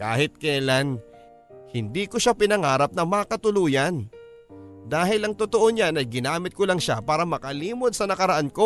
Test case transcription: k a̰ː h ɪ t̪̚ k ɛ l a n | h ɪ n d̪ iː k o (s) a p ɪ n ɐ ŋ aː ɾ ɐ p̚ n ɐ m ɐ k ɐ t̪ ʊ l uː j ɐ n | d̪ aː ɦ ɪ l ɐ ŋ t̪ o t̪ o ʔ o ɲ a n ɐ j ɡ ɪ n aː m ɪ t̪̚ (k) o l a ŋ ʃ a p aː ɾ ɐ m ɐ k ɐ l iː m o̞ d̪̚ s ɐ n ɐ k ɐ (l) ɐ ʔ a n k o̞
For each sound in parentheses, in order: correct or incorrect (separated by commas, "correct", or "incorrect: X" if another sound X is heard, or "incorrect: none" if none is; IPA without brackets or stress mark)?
incorrect: ʃ, correct, incorrect: ɾ